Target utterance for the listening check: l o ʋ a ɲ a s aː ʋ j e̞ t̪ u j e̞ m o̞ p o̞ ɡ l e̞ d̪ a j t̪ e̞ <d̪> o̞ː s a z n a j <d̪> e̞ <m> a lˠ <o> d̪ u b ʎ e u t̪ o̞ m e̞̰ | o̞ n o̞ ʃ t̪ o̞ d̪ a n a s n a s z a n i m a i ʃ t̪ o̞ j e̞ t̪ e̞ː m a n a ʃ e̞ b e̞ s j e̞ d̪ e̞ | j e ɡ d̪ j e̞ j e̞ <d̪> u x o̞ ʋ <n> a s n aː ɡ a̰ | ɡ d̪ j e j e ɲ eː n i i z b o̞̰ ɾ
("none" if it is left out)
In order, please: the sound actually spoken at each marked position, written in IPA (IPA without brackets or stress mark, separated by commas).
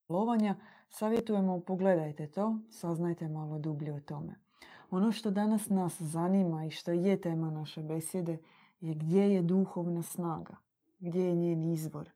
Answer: t̪, t̪, m, o, d̪, n